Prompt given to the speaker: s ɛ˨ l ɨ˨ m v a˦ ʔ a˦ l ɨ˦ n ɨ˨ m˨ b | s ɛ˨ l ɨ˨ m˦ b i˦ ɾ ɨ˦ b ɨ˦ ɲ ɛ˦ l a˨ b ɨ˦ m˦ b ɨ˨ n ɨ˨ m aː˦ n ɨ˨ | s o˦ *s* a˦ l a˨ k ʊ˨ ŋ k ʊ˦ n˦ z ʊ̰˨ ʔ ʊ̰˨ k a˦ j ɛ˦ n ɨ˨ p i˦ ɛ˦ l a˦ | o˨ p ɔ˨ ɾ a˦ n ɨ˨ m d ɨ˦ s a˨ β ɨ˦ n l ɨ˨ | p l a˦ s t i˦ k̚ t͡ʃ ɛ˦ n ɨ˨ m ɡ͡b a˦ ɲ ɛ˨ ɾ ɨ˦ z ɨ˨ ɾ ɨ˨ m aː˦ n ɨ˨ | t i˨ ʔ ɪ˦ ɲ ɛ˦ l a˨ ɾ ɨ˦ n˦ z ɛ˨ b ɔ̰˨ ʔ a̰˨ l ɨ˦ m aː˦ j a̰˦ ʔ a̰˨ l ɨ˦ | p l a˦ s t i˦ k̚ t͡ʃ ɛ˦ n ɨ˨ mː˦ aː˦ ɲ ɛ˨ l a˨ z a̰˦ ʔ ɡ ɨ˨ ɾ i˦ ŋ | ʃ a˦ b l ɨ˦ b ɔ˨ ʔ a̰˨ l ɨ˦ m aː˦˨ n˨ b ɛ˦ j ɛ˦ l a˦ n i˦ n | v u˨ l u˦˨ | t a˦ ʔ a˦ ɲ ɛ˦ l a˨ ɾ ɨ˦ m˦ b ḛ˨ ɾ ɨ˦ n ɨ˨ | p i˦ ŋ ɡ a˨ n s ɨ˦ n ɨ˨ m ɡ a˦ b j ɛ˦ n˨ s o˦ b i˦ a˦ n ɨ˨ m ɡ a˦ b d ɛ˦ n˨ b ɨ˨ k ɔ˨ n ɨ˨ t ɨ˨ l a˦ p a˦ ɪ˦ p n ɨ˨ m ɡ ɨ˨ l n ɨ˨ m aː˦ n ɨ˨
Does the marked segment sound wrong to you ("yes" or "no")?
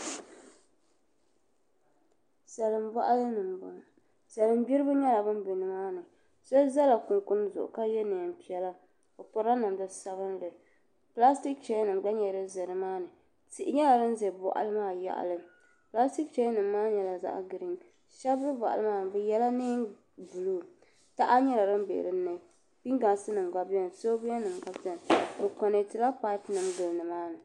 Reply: yes